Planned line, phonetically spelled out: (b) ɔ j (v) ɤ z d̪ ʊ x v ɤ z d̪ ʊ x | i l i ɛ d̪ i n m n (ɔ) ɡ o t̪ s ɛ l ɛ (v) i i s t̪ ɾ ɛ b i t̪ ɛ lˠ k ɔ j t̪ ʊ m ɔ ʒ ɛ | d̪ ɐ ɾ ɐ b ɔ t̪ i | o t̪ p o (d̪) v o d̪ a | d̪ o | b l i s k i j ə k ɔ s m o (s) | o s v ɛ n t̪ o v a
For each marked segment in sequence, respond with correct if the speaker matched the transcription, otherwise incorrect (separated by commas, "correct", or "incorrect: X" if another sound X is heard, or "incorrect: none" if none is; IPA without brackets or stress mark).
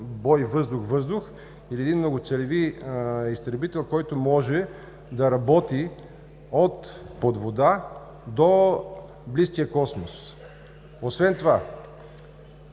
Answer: correct, correct, incorrect: o, correct, correct, correct